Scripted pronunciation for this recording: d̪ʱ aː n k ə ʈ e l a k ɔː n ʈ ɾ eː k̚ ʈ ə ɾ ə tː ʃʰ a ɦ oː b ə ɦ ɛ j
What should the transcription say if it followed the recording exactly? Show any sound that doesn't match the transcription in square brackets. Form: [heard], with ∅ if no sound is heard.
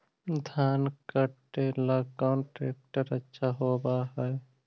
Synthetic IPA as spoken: d̪ʱ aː n k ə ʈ e l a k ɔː n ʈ ɾ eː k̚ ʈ ə ɾ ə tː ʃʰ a ɦ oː b [a] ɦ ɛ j